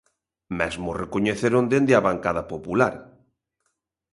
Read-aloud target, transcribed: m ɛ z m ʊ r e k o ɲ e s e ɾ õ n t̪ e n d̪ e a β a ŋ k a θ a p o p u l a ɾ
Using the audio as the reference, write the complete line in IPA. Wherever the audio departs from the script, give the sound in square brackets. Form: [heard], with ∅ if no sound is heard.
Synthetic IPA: m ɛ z m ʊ r e k o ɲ e [θ] e ɾ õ n [d̪] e n d̪ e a β a ŋ k a [ð] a p o p u l a ɾ